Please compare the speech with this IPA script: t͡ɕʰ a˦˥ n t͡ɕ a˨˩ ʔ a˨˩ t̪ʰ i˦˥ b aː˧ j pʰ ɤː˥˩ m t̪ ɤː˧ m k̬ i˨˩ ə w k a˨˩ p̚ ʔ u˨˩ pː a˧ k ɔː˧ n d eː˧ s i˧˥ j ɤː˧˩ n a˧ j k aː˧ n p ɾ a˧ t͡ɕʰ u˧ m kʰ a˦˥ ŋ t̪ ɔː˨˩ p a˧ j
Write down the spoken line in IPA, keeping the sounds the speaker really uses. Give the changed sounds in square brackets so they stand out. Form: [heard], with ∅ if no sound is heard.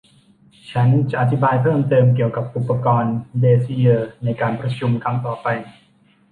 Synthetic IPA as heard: t͡ɕʰ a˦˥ n t͡ɕ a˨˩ ʔ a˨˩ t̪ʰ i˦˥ b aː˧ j pʰ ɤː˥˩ m t̪ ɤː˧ m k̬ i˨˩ ə w k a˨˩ p̚ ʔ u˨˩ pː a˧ k ɔː˧ n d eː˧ s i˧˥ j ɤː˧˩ n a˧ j k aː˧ n p ɾ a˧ t͡ɕʰ u˧ m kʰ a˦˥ ŋ t̪ ɔː˨˩ p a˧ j